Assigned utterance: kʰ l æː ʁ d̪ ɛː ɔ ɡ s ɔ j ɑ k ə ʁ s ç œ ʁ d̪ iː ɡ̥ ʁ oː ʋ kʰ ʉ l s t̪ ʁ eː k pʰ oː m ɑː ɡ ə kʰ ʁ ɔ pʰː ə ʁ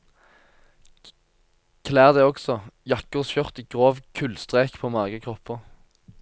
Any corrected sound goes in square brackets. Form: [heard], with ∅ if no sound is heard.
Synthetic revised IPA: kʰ l æː ʁ d̪ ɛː ɔ ɡ s ɔ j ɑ k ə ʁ s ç œ ʁ [t̪] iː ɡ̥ ʁ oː ʋ kʰ ʉ l s t̪ ʁ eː k pʰ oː m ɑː ɡ ə kʰ ʁ ɔ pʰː ə ʁ